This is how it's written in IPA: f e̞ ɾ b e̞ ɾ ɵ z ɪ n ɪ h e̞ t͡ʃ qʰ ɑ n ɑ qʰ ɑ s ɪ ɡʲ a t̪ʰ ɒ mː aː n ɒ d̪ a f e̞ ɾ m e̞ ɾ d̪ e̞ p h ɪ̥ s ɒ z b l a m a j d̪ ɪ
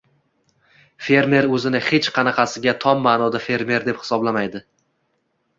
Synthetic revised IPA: f e̞ ɾ m e̞ ɾ ɵ z ɪ n ɪ h e̞ t͡ʃ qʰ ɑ n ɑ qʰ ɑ s ɪ ɡʲ a t̪ʰ ɒ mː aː n ɒ d̪ a f e̞ ɾ m e̞ ɾ d̪ e̞ p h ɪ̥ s ɒ b l a m a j d̪ ɪ